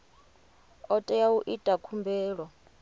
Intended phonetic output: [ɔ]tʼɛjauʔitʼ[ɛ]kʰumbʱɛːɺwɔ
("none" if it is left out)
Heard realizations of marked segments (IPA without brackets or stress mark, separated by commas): ɔ, a